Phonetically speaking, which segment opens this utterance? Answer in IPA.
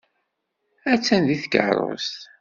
æ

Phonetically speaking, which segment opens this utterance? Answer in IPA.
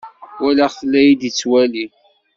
w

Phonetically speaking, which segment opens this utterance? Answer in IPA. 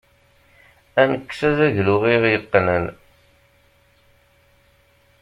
æ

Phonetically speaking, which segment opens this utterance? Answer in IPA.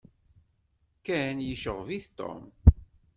k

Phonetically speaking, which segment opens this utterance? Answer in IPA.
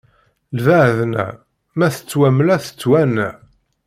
l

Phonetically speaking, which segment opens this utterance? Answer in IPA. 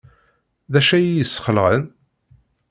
ð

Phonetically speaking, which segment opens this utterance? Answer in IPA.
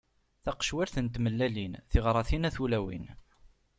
θ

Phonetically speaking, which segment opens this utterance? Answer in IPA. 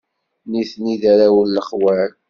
n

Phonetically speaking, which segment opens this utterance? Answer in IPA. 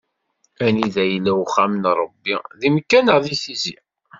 æ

